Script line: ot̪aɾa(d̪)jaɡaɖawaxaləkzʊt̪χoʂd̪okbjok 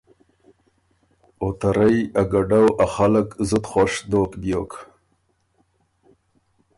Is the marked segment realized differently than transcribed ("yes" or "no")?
yes